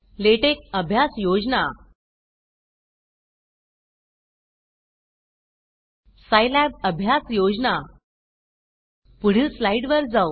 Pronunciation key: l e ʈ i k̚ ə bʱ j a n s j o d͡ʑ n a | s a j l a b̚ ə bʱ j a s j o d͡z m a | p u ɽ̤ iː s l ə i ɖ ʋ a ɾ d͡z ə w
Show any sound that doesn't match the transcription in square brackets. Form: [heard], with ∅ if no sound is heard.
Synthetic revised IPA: l e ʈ [e] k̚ ə bʱ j a [∅] s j o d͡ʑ n a | s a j l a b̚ ə bʱ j a s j o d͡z [n] a | p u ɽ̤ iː s l [a] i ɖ ʋ [ə] ɾ d͡z [a] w